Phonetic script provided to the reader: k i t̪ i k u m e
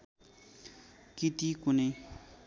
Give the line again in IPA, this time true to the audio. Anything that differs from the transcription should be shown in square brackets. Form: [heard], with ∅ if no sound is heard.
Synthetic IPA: k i t̪ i k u [n] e